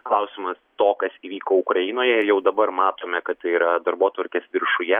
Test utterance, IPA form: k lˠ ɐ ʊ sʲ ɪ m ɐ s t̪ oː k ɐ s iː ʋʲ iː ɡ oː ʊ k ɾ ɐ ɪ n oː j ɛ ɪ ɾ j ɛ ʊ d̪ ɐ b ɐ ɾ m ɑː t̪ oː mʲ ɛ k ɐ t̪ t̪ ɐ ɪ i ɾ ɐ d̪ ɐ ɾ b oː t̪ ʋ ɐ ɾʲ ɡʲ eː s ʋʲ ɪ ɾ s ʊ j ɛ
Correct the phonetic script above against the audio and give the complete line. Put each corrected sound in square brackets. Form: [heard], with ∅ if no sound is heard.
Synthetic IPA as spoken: k lˠ ɐ ʊ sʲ ɪ m ɐ s t̪ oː k ɐ s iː ʋʲ iː [k] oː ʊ k ɾ ɐ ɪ n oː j ɛ ɪ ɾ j ɛ ʊ d̪ ɐ b ɐ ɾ m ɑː t̪ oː mʲ ɛ k ɐ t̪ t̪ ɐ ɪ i ɾ ɐ d̪ ɐ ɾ b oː t̪ ʋ ɐ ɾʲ [kʲ] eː s ʋʲ ɪ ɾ [ʃ] ʊ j ɛ

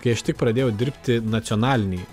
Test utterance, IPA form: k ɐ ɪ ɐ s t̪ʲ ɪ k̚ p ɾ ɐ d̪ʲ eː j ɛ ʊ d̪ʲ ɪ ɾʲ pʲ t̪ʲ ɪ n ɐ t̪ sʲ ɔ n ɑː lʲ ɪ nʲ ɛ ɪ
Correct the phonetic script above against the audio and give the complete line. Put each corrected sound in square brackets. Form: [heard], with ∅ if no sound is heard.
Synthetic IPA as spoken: k ɐ ɪ ɐ [ʃ] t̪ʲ ɪ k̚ p ɾ ɐ d̪ʲ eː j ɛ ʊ d̪ʲ ɪ ɾʲ pʲ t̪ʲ ɪ n ɐ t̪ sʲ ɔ n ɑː lʲ ɪ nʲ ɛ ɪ

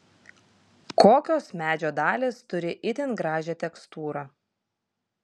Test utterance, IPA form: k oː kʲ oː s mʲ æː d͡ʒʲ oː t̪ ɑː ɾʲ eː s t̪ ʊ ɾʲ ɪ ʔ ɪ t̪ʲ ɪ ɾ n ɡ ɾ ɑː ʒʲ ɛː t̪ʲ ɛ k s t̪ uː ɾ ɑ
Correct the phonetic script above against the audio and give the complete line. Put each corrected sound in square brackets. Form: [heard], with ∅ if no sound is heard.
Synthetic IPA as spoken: k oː kʲ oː s mʲ æː d͡ʒʲ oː [d̪] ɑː [lʲ] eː s t̪ ʊ ɾʲ ɪ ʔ ɪ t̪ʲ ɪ [∅] n ɡ ɾ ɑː ʒʲ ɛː t̪ʲ ɛ k s t̪ uː ɾ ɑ

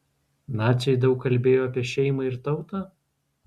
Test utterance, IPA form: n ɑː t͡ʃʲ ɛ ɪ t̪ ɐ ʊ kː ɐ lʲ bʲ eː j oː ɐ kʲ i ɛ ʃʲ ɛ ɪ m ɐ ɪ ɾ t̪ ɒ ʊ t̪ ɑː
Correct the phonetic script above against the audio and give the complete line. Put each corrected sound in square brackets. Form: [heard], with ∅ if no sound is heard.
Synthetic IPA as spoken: n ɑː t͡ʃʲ ɛ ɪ [d̪] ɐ ʊ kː ɐ lʲ bʲ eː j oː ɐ [pʲ] i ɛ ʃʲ ɛ ɪ m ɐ ɪ ɾ t̪ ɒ ʊ t̪ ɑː

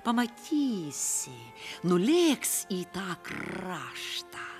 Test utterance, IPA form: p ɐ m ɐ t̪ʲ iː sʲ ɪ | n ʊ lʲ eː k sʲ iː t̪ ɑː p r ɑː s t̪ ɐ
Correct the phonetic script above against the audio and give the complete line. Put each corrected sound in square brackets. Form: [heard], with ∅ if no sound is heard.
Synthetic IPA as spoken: p ɐ m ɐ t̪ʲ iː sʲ ɪ | n ʊ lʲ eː k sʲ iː t̪ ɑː [k] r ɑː [ʃ] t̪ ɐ

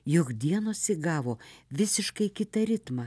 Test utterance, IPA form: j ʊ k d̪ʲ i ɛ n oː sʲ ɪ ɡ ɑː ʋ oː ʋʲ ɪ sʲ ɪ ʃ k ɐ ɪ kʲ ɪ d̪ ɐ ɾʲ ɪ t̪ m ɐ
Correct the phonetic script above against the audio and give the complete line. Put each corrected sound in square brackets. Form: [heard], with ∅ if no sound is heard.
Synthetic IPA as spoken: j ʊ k d̪ʲ i ɛ n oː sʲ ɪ ɡ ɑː ʋ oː ʋʲ ɪ sʲ ɪ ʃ k ɐ ɪ kʲ ɪ [t̪] ɐ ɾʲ ɪ t̪ m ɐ

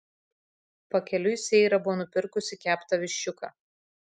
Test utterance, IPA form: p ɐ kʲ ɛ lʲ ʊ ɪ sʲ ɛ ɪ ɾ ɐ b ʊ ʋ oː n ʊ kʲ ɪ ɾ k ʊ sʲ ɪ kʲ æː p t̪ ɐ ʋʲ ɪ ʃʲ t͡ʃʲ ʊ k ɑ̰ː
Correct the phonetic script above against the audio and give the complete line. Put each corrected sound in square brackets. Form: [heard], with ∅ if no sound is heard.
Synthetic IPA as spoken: p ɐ kʲ ɛ lʲ ʊ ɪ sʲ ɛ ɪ ɾ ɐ b ʊ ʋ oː n ʊ [pʲ] ɪ ɾ k ʊ sʲ ɪ kʲ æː p t̪ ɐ ʋʲ ɪ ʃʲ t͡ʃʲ ʊ k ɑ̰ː

